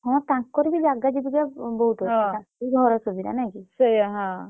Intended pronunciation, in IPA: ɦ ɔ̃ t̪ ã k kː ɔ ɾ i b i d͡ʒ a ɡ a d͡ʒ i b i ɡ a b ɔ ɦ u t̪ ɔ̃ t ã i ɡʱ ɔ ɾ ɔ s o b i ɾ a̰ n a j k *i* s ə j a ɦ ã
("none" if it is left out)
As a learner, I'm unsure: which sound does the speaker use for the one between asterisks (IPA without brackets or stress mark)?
i